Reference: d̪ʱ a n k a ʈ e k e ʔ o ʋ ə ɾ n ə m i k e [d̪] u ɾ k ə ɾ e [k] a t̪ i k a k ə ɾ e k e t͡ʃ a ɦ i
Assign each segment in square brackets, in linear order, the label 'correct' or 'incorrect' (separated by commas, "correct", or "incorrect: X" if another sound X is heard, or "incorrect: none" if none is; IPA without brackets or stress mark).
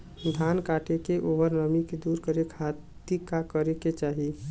correct, incorrect: kʰ